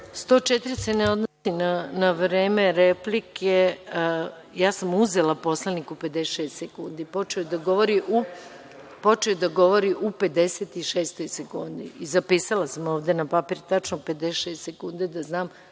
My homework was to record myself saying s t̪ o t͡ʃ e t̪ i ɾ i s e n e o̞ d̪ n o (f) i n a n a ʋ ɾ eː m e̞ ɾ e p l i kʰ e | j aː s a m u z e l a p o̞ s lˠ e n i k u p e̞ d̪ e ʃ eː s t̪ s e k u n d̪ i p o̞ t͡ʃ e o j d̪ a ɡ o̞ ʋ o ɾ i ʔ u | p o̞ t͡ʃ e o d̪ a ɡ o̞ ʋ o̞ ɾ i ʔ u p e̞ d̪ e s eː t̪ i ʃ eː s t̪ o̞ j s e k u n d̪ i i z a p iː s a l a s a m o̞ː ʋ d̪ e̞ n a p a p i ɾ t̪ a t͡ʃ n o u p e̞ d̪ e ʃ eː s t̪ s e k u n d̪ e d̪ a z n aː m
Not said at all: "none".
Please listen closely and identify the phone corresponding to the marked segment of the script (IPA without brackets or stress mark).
s